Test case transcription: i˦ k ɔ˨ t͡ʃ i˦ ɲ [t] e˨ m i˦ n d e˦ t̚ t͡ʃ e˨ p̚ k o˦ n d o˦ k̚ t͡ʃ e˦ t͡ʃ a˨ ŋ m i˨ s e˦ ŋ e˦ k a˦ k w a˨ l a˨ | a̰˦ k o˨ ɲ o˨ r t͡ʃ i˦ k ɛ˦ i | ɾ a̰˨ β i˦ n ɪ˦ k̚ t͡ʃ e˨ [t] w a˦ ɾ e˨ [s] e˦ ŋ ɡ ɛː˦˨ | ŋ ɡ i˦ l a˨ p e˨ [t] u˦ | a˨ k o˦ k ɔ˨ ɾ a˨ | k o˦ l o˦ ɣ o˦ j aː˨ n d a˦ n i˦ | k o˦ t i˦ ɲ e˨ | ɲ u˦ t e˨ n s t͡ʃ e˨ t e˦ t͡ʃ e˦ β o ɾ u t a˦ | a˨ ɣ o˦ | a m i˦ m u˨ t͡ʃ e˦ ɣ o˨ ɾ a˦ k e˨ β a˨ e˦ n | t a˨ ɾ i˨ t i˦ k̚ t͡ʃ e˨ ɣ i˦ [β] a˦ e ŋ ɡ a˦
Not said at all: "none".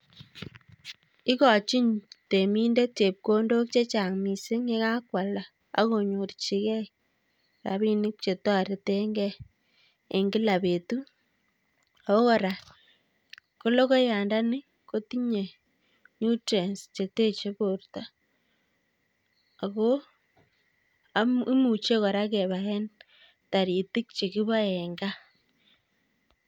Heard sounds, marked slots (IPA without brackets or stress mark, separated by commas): t, t, t, t, β